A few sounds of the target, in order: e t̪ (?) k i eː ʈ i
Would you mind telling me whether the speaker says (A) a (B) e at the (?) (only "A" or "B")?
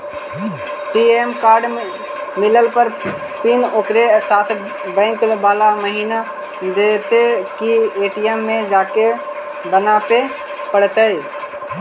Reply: B